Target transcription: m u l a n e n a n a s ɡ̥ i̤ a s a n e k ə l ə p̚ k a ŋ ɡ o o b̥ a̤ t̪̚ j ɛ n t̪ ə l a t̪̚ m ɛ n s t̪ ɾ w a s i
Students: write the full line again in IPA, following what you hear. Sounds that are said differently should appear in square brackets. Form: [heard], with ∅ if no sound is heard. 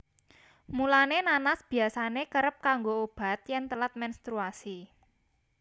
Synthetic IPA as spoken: m u l a n e n a n a s [b̥] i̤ a s a n e k ə [ɾ] ə p̚ k a ŋ ɡ o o b̥ a̤ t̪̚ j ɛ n t̪ ə l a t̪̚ m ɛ n s t̪ ɾ [u] a s i